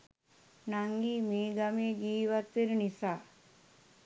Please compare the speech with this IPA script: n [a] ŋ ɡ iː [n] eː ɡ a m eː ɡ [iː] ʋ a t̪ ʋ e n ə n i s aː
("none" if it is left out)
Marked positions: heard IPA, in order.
a, m, iː

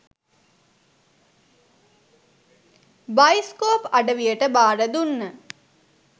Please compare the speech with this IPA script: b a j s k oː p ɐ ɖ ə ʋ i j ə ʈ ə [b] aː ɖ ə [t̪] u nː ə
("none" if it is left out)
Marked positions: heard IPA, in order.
b, d̪

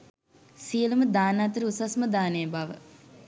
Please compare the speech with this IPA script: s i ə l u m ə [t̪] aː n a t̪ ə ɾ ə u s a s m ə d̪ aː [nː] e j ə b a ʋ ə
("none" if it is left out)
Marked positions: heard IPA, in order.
d̪, n

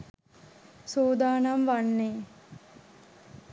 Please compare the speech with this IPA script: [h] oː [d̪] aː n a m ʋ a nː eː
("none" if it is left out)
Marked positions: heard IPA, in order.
s, d̪

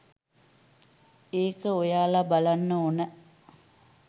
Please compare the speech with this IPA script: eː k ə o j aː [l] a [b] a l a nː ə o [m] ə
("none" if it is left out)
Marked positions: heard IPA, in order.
l, b, n

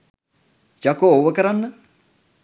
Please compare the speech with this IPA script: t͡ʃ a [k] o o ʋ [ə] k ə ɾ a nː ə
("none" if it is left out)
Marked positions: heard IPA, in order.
k, ə

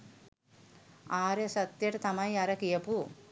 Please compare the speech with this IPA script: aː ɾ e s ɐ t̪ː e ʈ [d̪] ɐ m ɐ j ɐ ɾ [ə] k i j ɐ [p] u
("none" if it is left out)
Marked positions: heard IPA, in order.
t̪, ɐ, p

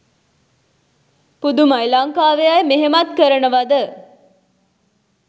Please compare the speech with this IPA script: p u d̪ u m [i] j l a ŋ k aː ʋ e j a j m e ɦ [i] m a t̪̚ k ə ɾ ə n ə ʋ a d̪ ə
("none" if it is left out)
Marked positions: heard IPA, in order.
a, e

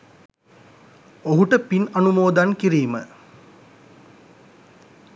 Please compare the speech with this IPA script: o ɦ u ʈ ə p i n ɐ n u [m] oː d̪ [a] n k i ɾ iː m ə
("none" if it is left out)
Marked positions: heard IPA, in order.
m, a

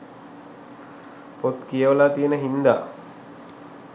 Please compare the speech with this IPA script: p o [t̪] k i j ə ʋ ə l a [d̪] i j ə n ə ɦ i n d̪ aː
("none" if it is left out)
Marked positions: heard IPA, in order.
t̪, t̪

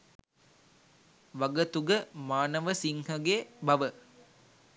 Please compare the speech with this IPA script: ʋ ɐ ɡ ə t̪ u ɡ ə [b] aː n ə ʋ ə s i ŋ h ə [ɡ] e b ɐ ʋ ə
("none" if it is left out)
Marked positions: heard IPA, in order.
m, ɡ

